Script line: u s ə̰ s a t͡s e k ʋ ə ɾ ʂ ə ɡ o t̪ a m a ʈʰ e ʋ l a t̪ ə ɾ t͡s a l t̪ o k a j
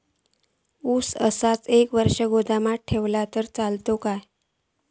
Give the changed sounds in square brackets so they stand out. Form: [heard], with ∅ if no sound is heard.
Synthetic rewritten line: u s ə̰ s a t͡s e k ʋ ə ɾ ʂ ə ɡ o [d̪] a m a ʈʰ e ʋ l a t̪ ə ɾ t͡s a l t̪ o k a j